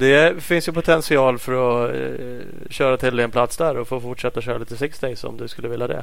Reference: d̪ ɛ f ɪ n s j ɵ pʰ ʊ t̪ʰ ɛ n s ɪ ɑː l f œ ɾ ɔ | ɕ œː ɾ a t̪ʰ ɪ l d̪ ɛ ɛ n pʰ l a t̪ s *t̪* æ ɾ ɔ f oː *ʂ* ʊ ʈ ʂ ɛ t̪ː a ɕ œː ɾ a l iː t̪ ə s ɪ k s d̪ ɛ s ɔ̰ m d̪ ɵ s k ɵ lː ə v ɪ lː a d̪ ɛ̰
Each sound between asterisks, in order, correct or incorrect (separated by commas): incorrect, incorrect